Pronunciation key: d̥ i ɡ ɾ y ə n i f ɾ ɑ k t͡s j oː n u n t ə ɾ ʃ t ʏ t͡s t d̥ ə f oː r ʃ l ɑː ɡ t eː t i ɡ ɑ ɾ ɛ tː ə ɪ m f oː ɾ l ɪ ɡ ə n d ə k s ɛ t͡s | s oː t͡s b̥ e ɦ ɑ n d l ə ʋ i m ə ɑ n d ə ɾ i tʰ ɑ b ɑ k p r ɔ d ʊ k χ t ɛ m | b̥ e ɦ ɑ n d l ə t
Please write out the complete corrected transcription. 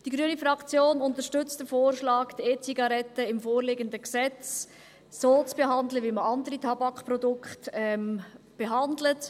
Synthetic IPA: d̥ i ɡ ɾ y ə n i f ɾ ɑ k t͡s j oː n ʊ n t ə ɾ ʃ t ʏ t͡s t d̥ ə f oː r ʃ l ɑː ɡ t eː t͡s i ɡ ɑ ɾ ɛ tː ə ɪ m f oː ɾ l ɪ ɡ ə n d ə k s ɛ t͡s | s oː t͡s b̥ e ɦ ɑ n d l ə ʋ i m ə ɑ n d ə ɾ i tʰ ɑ b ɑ k p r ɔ d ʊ k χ t ɛ m | b̥ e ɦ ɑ n d l ə t